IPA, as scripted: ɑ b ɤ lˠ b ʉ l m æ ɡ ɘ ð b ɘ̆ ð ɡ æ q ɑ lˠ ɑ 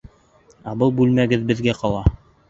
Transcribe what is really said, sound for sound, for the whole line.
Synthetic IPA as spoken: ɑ b ɤ lˠ b ʉ l m æ ɡ ɘ ð b ɘ̆ ð ɡ æ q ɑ lˠ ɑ